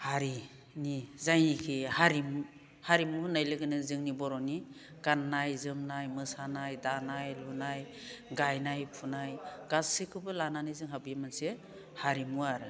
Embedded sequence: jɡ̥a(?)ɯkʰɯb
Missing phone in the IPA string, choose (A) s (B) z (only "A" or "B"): A